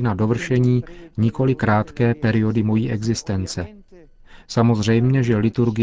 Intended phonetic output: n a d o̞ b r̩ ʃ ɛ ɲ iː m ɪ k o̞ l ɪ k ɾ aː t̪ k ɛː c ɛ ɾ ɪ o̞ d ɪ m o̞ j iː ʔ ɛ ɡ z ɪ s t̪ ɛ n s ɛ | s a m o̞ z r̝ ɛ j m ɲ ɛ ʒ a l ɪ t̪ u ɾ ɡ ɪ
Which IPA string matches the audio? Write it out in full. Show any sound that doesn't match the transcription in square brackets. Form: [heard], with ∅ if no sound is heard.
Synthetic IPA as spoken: n a d o̞ [v] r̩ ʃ ɛ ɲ iː [ɲ] ɪ k o̞ l ɪ k ɾ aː t̪ k ɛː [p] ɛ ɾ ɪ o̞ d ɪ m o̞ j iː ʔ ɛ ɡ z ɪ s t̪ ɛ n [t͡s] ɛ | s a m o̞ z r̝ ɛ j m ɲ ɛ ʒ [ɛ] l ɪ t̪ u ɾ ɡ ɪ